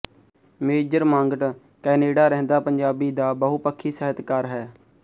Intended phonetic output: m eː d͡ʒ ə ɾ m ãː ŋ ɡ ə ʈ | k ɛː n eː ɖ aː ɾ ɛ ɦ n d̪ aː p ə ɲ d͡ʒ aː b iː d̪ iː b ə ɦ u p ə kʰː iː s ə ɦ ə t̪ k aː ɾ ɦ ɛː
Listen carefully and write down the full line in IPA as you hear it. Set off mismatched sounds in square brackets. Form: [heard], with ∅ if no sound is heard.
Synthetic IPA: m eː d͡ʒ ə ɾ m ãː ŋ ɡ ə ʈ | k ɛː n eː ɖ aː ɾ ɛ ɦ n d̪ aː p ə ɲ d͡ʒ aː b iː d̪ [aː] b ə ɦ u p ə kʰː iː s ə ɦ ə t̪ k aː ɾ ɦ ɛː